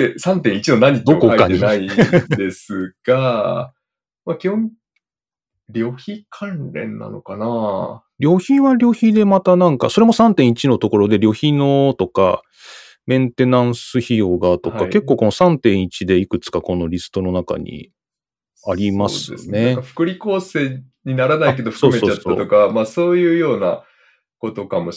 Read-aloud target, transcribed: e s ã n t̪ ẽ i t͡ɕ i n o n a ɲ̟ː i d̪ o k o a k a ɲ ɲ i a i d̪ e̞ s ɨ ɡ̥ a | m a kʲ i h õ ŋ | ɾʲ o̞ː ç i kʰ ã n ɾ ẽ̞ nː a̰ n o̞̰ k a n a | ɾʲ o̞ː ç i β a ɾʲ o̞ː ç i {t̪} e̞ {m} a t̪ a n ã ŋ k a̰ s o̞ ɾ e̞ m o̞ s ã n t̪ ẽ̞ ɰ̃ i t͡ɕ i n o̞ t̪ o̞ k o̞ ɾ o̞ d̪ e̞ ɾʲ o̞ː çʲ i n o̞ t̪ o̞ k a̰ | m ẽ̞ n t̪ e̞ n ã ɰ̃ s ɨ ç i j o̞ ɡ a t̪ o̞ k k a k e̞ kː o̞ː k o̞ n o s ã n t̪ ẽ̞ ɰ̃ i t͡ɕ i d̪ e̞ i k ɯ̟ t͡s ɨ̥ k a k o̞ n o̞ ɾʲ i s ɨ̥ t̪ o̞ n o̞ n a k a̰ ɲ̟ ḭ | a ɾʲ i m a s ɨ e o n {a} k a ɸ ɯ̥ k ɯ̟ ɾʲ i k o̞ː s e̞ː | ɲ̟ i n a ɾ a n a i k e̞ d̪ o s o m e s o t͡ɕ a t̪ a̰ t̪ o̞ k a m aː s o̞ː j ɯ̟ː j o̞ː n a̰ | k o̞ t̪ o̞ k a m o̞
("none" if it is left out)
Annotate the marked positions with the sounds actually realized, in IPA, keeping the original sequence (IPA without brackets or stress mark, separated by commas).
d̪, m, e